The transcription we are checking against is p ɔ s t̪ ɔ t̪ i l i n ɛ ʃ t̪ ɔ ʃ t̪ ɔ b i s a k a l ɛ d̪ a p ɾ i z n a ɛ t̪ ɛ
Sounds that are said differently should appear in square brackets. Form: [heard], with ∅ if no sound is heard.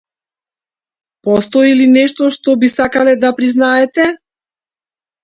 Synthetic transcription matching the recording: p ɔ s t̪ ɔ [∅] i l i n ɛ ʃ t̪ ɔ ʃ t̪ ɔ b i s a k a l ɛ d̪ a p ɾ i z n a ɛ t̪ ɛ